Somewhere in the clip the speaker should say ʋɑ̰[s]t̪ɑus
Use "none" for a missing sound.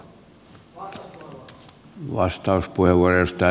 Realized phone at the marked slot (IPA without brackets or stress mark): s